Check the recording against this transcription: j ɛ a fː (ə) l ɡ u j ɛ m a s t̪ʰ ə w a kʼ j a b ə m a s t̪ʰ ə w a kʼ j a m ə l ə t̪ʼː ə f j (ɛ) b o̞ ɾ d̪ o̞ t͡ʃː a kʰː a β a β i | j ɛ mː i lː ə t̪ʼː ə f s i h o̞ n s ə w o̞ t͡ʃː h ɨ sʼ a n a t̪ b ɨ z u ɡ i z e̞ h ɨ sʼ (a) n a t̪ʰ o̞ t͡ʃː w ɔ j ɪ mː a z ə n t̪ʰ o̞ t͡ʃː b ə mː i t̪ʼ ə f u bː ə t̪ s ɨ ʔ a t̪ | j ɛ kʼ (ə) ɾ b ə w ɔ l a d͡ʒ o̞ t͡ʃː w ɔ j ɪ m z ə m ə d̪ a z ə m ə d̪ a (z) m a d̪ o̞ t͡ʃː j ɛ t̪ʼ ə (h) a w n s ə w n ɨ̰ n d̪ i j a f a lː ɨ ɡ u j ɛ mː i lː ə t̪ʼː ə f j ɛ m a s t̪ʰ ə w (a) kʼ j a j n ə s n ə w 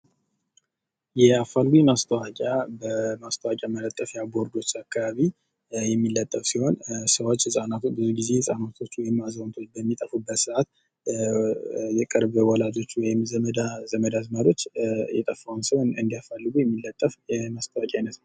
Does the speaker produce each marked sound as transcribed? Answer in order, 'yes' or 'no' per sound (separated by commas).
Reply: no, no, yes, yes, yes, no, yes